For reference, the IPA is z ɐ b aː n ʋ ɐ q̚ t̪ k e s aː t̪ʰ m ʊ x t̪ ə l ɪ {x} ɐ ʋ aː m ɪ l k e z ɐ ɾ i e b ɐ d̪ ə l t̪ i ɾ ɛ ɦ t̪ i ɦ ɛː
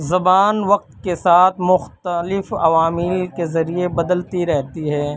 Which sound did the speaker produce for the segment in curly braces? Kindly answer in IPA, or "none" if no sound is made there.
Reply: f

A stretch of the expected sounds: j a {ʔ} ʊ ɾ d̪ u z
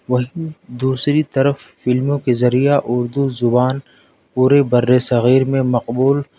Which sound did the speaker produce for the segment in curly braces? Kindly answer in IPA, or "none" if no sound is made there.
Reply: ʔ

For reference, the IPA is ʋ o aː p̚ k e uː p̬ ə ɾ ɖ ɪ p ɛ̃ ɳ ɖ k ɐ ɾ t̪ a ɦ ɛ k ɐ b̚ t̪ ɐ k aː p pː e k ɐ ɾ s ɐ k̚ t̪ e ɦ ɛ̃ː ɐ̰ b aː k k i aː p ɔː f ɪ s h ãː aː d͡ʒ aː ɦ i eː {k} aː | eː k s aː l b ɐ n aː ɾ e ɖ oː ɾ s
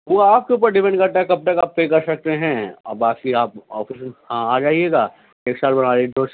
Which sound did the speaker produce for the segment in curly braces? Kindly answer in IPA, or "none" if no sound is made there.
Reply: ɡ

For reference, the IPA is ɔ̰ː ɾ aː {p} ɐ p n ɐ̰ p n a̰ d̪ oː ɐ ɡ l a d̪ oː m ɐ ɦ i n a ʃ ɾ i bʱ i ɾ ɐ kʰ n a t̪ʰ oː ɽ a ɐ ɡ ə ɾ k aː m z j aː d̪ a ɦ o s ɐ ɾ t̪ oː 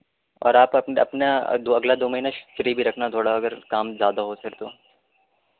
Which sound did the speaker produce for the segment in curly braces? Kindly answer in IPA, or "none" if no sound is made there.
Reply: p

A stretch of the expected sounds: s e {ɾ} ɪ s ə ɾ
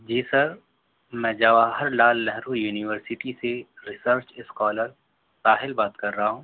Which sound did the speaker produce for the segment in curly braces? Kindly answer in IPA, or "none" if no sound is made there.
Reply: ɾ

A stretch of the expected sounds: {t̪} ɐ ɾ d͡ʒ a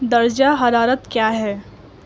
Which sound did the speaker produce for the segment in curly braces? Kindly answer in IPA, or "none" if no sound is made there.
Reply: d̪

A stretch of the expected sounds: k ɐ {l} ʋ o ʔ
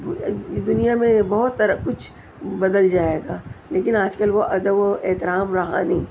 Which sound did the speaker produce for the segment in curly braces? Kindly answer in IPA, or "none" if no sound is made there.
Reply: l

